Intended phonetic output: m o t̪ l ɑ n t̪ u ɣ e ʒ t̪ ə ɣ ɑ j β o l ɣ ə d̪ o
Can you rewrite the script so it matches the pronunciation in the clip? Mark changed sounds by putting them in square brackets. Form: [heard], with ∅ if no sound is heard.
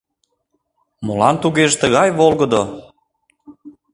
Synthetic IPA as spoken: m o [∅] l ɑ n t̪ u ɣ e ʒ t̪ ə ɣ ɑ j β o l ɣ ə d̪ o